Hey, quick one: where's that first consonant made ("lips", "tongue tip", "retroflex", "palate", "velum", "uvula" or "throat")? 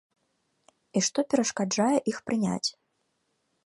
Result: retroflex